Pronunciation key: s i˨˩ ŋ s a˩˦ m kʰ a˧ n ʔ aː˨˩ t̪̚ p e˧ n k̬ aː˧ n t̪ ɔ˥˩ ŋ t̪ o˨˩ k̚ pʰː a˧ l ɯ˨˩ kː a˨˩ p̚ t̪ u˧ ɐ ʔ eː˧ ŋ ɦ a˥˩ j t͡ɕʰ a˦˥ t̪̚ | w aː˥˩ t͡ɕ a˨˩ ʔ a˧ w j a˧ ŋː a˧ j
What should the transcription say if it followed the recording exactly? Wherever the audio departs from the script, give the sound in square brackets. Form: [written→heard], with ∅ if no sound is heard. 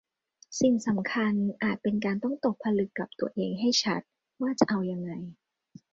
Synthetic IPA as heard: s i˨˩ ŋ s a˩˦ m kʰ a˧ n ʔ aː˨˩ t̪̚ p e˧ n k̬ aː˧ n t̪ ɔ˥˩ ŋ t̪ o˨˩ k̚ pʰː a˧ l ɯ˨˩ kː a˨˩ p̚ t̪ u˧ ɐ ʔ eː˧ ŋ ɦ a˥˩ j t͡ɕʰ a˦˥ t̪̚ | w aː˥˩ t͡ɕ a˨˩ ʔ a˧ w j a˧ ŋː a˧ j